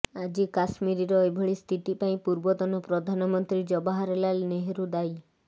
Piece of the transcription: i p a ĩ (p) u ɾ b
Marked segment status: correct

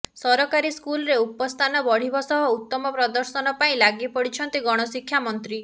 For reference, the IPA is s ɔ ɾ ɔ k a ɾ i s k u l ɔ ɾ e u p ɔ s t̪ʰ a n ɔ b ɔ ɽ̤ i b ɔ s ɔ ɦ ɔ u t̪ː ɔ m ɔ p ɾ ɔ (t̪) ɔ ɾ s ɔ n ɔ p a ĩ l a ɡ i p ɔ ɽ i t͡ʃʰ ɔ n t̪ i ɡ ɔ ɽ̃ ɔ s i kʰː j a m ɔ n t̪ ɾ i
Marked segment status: incorrect: d̪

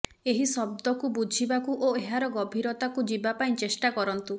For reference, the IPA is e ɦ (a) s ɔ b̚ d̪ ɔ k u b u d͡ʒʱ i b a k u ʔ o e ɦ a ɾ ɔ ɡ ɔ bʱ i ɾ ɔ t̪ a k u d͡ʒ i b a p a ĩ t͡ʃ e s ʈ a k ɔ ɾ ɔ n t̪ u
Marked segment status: incorrect: i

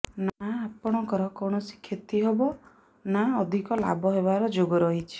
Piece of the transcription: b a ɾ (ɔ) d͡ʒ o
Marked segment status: correct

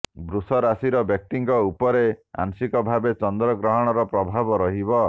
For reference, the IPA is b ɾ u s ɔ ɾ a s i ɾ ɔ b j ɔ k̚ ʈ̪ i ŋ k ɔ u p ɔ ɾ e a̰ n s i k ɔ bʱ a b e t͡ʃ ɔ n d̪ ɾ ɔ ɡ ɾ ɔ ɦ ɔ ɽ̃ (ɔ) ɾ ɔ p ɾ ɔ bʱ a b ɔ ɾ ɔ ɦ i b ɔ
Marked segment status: correct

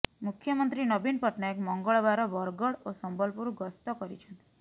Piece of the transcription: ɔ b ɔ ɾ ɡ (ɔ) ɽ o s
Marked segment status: correct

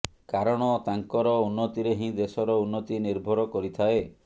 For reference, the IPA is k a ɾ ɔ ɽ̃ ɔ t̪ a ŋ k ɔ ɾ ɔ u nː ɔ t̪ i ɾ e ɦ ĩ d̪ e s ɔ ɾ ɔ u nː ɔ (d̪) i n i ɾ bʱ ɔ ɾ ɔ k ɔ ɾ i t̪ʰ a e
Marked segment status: incorrect: t̪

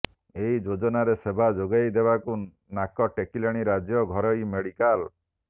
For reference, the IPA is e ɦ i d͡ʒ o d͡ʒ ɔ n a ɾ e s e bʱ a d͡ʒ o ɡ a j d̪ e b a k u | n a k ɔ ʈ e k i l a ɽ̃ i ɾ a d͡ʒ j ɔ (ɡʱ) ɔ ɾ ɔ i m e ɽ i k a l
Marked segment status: correct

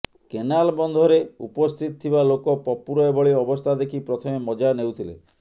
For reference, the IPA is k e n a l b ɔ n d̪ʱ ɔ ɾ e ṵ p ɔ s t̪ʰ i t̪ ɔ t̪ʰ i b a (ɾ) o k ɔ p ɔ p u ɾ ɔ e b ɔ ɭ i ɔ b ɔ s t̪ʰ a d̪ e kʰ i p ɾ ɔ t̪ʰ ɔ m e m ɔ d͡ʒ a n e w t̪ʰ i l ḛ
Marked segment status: incorrect: l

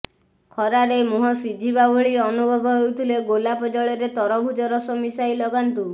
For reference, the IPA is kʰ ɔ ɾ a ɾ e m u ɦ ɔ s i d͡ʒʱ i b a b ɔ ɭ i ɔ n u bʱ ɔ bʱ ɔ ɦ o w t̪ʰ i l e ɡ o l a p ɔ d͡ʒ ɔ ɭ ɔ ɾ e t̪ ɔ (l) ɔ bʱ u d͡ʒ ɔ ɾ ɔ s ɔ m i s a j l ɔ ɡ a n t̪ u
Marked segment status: incorrect: ɾ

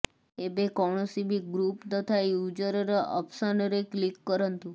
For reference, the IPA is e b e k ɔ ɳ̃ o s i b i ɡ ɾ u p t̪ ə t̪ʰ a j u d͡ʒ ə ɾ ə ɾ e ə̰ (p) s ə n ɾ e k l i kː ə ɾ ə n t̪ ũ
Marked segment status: correct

